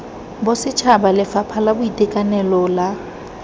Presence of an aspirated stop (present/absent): present